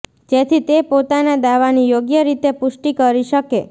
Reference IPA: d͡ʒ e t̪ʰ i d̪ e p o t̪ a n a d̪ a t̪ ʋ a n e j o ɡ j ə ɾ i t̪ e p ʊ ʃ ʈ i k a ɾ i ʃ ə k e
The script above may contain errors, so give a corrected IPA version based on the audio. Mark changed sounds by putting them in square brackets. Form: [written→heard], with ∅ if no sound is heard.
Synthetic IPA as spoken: d͡ʒ e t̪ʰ i [d̪→t̪] e p o t̪ a n a d̪ a [t̪→∅] ʋ a n [e→i] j o ɡ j ə ɾ i t̪ e p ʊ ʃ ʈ i k [a→ə] ɾ i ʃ ə k e